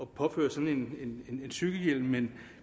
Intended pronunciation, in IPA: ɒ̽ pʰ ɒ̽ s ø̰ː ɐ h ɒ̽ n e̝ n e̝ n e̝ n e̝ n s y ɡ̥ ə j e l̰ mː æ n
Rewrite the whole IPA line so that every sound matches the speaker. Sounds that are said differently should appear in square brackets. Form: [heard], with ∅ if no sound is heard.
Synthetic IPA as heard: ɒ̽ pʰ ɒ̽ [f] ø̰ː ɐ [s] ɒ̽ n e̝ n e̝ n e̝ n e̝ n s y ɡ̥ ə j e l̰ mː [e] n